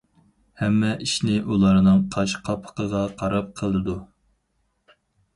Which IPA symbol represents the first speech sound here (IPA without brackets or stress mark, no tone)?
h